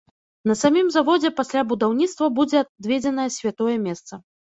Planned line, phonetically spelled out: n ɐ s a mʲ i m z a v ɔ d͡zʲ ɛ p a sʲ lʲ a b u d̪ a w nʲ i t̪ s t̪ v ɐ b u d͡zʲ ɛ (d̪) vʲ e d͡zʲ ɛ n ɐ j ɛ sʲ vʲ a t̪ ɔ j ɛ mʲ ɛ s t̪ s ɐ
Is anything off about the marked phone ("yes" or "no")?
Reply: no